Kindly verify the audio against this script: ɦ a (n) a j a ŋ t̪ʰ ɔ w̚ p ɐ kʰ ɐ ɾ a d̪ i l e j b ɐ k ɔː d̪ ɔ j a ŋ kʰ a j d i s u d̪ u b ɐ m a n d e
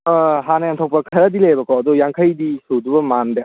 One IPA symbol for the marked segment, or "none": n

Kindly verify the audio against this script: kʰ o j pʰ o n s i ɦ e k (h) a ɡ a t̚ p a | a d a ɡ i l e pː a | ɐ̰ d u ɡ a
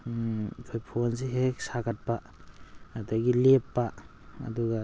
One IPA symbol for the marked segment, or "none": s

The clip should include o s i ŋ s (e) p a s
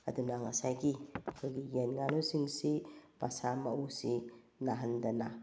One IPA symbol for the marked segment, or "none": i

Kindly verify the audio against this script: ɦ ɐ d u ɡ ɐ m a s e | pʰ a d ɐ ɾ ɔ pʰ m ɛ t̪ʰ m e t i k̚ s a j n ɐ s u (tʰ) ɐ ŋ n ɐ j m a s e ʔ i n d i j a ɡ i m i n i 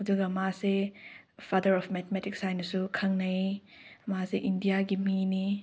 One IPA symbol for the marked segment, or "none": kʰ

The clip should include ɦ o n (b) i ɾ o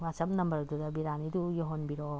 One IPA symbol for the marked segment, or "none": b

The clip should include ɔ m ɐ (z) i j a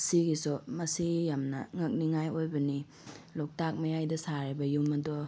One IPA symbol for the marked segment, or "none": s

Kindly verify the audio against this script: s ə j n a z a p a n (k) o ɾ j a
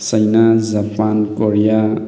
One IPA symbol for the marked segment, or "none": k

